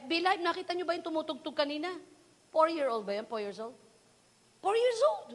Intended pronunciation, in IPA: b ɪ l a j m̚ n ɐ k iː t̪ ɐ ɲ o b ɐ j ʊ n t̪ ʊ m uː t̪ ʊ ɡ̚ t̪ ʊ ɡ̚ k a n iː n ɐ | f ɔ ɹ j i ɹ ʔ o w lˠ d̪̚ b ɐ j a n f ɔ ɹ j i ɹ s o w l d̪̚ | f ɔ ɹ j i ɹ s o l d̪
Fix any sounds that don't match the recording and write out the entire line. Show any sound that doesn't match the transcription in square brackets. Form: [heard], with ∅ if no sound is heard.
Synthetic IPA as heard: b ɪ l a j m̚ n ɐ k iː t̪ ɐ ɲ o b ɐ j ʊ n t̪ ʊ m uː t̪ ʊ ɡ̚ t̪ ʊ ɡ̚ k [ɐ] n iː n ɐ | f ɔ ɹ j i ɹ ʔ o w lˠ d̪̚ b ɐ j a n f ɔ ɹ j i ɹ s o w l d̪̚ | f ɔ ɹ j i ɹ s o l d̪